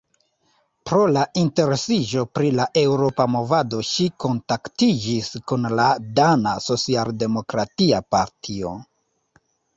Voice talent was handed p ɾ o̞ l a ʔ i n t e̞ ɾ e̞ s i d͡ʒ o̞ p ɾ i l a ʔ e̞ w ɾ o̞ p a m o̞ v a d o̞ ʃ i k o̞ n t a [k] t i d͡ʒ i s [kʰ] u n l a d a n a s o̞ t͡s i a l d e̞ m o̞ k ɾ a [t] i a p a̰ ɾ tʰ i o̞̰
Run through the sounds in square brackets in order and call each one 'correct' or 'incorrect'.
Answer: correct, incorrect: k, correct

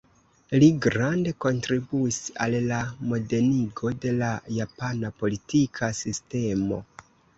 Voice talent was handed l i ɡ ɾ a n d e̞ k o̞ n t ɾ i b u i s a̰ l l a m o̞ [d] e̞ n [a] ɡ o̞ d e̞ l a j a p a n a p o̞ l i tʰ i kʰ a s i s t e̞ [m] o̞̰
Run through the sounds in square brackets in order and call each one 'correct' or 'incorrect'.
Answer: correct, incorrect: i, correct

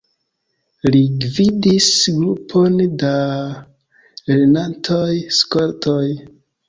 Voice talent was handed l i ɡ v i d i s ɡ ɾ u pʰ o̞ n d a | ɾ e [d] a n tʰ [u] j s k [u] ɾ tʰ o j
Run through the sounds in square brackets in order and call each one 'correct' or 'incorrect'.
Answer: incorrect: n, incorrect: o, incorrect: o

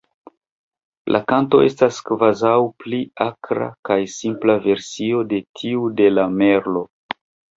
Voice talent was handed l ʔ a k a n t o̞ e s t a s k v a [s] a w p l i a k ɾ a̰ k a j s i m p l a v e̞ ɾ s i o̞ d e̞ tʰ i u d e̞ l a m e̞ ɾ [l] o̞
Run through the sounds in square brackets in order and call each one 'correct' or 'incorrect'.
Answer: incorrect: z, correct

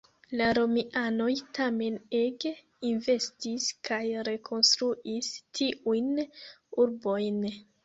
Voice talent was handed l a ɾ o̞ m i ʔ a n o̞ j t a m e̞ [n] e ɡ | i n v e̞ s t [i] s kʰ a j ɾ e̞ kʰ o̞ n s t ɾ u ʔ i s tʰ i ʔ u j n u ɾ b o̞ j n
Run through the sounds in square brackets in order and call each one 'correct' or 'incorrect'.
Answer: correct, correct

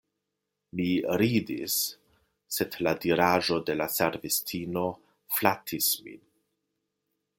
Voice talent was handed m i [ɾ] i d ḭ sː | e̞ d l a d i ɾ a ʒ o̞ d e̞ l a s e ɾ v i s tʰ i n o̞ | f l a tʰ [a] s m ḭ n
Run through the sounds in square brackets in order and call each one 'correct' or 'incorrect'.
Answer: correct, incorrect: i

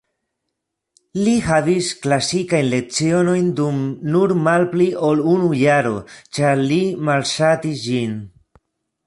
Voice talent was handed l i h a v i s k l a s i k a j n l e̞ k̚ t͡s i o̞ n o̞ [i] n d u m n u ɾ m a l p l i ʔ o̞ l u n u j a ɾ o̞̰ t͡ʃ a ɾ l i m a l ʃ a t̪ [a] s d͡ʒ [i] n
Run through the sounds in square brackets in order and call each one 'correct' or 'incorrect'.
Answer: incorrect: j, incorrect: i, correct

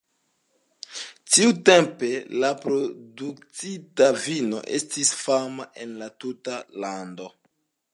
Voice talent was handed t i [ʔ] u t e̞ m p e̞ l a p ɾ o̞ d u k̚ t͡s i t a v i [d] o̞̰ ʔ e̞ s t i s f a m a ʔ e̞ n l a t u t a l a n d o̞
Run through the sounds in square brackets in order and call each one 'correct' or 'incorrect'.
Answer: incorrect: none, incorrect: n

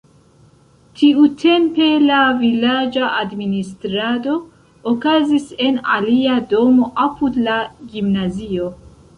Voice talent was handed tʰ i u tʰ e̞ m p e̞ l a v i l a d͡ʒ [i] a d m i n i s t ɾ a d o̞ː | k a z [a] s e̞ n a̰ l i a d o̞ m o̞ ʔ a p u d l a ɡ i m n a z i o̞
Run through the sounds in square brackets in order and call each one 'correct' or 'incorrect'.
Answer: incorrect: a, incorrect: i

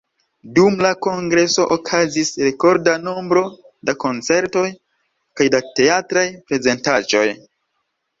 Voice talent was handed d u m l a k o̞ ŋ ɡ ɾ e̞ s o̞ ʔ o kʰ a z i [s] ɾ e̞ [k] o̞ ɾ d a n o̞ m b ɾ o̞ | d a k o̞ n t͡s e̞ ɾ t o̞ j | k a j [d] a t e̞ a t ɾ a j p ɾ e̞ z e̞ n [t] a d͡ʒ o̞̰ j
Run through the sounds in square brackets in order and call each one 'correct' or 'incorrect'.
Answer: correct, correct, correct, correct

